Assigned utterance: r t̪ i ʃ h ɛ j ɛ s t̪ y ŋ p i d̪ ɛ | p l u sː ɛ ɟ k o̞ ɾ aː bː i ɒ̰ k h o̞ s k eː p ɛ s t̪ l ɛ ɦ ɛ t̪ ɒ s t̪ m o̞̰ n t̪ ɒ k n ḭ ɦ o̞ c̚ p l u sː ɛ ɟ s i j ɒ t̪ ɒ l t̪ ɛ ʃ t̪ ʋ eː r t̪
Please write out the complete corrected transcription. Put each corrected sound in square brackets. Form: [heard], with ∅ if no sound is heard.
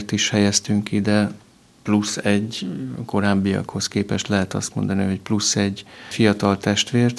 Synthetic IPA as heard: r t̪ i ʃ h ɛ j ɛ s t̪ y ŋ [k] i d̪ ɛ | p l u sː ɛ ɟ k o̞ ɾ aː bː i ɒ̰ k h o̞ s k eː p ɛ [ʃ] t̪ l ɛ ɦ ɛ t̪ ɒ s t̪ m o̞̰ n [d̪] ɒ [∅] n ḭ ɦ o̞ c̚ p l u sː ɛ ɟ [f] i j ɒ t̪ ɒ l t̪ ɛ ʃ t̪ ʋ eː r t̪